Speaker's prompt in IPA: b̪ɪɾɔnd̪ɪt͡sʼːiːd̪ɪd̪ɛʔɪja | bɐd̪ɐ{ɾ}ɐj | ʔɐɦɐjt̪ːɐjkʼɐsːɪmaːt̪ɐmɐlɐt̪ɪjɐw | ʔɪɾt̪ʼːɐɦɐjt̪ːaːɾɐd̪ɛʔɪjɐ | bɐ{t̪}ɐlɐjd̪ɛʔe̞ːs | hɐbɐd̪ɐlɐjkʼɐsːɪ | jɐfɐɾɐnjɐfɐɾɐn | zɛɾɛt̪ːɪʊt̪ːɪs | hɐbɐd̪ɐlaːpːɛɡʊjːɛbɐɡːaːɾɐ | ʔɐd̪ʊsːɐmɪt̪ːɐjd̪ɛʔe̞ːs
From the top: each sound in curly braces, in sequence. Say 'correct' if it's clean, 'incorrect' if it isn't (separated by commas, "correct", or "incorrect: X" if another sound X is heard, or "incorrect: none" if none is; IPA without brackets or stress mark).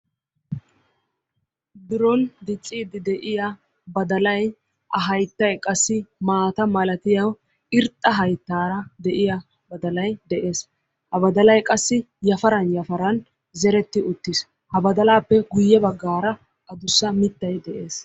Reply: incorrect: l, incorrect: d̪